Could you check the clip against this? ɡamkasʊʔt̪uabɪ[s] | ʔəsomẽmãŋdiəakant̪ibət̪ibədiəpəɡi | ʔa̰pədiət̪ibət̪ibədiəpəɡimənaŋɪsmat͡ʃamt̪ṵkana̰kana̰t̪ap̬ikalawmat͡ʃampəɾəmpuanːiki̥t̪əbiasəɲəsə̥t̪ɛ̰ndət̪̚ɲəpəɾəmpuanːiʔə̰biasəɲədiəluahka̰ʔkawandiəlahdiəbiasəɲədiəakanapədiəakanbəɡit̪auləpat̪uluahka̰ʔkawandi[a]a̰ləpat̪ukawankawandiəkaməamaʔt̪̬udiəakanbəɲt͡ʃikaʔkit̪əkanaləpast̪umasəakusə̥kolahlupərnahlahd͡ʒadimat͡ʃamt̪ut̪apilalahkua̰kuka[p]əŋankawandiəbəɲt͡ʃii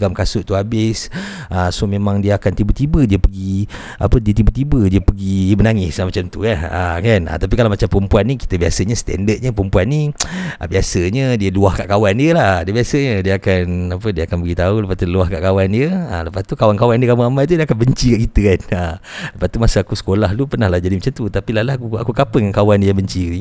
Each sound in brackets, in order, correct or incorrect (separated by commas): correct, incorrect, correct